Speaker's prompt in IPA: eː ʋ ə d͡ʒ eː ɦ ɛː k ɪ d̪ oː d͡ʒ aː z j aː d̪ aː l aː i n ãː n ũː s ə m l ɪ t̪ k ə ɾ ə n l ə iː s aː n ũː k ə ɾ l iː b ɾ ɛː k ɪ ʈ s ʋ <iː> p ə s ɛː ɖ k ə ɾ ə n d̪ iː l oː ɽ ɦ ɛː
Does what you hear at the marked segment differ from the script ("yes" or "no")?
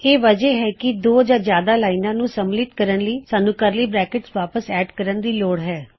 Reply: yes